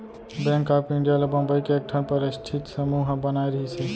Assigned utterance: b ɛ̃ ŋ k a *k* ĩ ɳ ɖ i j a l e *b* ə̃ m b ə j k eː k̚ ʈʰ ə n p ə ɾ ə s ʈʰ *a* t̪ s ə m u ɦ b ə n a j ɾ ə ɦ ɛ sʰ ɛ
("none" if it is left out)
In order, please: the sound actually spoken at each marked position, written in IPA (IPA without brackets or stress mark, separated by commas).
p, b, i